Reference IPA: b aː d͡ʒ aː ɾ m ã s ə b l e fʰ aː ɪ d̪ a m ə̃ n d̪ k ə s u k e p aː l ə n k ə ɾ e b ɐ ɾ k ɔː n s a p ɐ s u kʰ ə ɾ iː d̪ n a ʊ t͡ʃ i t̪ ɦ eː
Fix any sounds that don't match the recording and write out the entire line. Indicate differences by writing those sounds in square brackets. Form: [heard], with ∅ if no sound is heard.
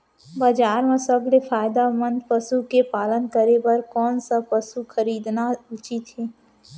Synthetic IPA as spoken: b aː d͡ʒ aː ɾ m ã s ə b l e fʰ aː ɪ d̪ a m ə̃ n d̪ [p] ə s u k e p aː l ə n k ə ɾ e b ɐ ɾ k ɔː n s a p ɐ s u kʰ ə ɾ iː d̪ n a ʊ t͡ʃ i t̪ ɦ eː